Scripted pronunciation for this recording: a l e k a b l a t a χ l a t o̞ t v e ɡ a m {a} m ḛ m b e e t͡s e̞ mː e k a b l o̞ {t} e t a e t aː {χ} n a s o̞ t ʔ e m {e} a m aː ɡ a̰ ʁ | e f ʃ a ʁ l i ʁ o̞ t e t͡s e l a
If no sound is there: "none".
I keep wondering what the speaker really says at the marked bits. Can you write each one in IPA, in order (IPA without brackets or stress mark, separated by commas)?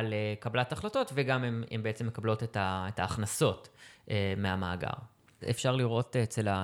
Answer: e, t, χ, e